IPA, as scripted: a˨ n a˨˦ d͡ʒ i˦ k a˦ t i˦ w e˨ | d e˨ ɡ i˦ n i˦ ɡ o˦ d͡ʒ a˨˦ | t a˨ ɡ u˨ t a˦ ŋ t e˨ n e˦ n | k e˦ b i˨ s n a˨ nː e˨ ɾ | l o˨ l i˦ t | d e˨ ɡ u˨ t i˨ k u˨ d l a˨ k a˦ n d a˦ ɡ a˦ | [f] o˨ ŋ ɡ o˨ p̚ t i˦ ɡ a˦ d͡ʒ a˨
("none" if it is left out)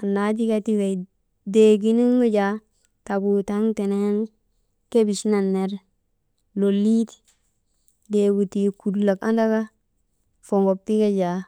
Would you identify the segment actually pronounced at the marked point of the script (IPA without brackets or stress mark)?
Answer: f